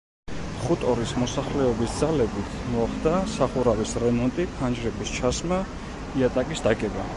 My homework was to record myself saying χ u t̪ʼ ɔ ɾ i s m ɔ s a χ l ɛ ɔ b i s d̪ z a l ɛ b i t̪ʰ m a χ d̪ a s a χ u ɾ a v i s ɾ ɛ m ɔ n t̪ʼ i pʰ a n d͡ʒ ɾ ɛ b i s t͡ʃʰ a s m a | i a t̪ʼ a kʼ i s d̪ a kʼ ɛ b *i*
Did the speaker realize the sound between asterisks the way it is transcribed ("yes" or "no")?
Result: no